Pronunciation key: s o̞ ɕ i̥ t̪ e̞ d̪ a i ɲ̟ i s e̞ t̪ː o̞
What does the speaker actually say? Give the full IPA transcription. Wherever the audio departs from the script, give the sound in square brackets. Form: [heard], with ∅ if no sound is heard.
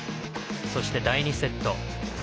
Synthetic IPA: s o̞ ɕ i̥ t̪ e̞ d̪ a i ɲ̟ i s e̞ t̪ː o̞